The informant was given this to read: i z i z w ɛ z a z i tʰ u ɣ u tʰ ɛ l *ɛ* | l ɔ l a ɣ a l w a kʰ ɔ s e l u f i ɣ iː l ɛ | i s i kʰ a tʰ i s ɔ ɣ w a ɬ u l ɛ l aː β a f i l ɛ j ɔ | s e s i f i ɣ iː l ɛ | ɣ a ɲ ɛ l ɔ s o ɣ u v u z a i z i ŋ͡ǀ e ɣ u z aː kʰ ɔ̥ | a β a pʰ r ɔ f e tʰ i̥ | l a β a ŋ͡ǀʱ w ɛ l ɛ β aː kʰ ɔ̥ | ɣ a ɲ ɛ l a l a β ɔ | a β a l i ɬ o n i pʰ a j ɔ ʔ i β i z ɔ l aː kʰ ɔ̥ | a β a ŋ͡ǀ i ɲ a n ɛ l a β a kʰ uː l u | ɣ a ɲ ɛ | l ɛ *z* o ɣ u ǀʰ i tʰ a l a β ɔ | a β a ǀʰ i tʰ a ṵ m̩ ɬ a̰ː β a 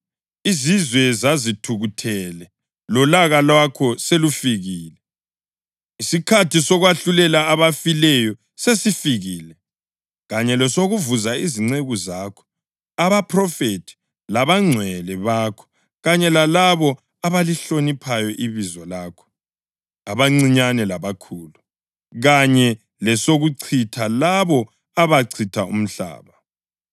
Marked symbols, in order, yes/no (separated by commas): yes, no